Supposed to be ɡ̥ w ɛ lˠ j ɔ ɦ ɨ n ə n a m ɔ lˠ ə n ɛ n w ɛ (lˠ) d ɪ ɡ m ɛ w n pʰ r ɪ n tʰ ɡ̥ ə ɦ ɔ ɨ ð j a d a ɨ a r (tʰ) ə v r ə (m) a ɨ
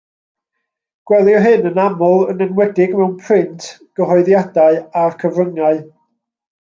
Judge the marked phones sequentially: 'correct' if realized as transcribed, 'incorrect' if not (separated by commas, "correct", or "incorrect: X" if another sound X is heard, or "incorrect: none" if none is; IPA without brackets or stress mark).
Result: incorrect: none, incorrect: kʰ, incorrect: ŋ